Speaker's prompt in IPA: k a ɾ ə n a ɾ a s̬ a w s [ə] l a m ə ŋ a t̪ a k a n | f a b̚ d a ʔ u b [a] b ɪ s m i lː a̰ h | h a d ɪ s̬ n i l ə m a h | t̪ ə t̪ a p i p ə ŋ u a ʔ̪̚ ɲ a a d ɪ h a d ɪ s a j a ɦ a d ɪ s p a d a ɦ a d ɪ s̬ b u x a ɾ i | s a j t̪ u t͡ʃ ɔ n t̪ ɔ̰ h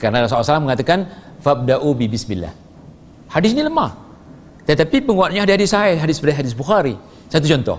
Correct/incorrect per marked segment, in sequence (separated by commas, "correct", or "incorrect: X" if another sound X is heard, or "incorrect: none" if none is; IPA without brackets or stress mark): incorrect: a, incorrect: i